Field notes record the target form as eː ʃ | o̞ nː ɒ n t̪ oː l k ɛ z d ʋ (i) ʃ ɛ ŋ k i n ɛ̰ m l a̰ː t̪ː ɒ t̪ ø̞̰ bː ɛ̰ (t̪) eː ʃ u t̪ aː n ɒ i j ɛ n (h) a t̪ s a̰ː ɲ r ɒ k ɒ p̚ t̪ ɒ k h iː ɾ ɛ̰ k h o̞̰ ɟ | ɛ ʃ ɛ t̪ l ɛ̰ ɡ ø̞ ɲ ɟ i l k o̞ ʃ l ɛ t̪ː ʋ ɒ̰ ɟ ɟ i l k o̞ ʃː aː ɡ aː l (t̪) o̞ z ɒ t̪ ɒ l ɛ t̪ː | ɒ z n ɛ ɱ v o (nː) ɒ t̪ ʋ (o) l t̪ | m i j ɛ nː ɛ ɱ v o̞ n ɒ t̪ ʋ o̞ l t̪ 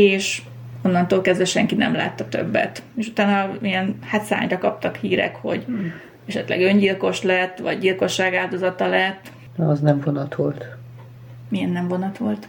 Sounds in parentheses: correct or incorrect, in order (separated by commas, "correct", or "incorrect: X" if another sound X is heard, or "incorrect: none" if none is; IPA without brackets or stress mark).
incorrect: ɛ, correct, correct, incorrect: d̪, incorrect: n, correct